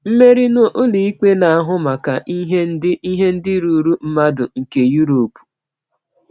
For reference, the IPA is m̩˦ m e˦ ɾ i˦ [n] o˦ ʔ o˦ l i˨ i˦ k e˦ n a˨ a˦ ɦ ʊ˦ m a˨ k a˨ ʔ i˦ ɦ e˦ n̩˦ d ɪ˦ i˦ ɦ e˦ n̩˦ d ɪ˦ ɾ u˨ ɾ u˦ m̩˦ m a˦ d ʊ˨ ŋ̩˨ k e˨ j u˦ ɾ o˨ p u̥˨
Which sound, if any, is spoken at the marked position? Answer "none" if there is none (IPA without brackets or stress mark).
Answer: n